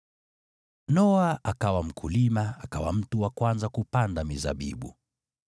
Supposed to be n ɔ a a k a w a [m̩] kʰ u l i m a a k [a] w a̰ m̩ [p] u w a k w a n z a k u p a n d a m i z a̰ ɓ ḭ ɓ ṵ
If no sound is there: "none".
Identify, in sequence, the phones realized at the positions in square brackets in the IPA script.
m̩, a, t

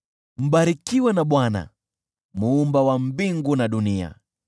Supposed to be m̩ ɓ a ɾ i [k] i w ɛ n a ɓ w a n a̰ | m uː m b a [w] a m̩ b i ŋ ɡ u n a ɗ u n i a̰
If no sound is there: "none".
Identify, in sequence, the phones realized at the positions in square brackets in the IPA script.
k, w

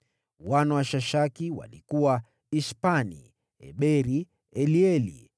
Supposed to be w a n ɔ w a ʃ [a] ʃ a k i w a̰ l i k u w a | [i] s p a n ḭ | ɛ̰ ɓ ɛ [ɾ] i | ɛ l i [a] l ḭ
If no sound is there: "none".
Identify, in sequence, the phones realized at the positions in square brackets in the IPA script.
a, i, ɾ, ɛ

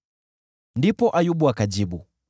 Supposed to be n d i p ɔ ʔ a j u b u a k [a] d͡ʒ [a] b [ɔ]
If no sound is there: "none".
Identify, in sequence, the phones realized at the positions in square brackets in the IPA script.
a, i, u

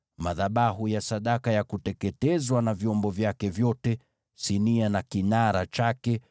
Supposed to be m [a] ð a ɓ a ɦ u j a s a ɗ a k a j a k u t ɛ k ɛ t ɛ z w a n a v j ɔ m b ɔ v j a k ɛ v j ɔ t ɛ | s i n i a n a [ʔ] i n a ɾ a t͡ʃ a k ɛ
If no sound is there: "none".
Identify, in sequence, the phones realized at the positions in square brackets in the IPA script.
a, k

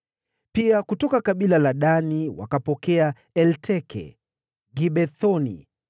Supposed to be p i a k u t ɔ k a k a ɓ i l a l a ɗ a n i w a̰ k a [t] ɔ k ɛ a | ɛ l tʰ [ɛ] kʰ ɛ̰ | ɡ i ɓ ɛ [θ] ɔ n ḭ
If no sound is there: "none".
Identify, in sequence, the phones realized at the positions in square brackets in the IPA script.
p, ɛ, θ

